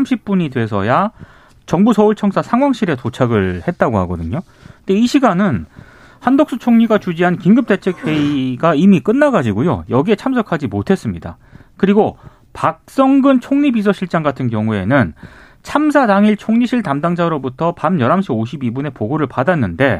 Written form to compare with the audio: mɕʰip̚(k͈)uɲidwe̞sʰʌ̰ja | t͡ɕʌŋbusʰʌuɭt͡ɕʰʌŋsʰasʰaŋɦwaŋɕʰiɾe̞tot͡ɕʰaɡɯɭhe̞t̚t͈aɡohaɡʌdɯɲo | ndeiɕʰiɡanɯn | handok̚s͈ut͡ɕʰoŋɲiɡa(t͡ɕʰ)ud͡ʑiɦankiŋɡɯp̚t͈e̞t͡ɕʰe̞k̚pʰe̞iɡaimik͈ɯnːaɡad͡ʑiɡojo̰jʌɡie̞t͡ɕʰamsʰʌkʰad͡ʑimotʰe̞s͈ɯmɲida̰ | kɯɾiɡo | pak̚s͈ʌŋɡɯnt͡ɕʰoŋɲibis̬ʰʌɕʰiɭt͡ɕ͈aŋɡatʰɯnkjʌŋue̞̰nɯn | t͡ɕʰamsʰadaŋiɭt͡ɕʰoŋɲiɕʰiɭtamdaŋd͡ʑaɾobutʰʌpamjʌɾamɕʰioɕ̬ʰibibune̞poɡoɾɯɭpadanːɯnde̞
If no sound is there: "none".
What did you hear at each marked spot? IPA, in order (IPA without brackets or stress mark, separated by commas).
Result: p͈, t͡ɕ